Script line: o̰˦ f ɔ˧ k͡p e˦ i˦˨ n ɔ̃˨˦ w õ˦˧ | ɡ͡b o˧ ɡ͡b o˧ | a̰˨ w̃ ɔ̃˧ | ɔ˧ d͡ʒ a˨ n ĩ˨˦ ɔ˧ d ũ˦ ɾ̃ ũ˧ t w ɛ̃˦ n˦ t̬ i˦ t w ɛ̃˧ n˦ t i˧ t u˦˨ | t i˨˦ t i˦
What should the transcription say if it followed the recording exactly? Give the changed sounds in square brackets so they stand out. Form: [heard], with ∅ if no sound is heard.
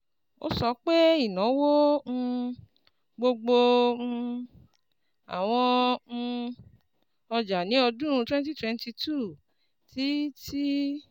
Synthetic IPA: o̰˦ [s] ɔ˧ k͡p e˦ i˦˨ n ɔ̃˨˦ w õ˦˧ | ɡ͡b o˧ ɡ͡b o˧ | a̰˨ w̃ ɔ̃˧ | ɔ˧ d͡ʒ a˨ n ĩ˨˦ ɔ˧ d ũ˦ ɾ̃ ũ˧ t w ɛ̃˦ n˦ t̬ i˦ t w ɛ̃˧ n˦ t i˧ t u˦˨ | t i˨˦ t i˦